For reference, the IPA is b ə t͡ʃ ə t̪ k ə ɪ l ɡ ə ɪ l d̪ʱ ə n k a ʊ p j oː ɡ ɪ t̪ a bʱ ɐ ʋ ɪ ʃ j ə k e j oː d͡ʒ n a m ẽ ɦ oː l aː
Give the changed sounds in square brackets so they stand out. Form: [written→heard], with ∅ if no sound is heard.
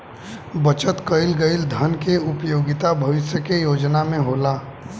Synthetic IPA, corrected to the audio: b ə t͡ʃ ə t̪ k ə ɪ l ɡ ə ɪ l d̪ʱ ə n k [a→e] ʊ p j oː ɡ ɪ t̪ a bʱ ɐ ʋ ɪ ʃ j ə k e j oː d͡ʒ n a m ẽ ɦ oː l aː